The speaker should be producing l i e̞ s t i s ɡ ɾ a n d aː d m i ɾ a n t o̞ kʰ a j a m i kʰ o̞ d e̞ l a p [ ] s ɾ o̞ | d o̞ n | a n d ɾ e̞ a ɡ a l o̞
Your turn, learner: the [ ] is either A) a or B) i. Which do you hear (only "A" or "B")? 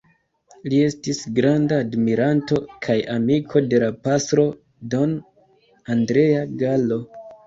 A